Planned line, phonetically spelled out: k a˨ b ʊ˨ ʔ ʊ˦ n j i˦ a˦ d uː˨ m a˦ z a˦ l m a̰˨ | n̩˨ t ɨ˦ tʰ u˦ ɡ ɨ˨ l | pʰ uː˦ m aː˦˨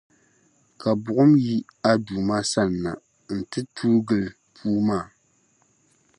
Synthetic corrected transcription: k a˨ b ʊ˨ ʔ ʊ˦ m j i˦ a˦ d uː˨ m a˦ s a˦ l n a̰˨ | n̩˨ t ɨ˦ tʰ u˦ ɡ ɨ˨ l | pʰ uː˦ m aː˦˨